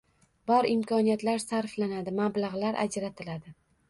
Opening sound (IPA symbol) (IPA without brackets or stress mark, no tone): b